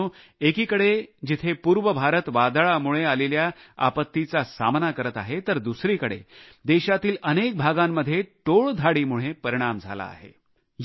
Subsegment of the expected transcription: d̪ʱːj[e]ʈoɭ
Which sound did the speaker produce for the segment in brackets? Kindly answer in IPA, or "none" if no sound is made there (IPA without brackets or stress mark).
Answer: e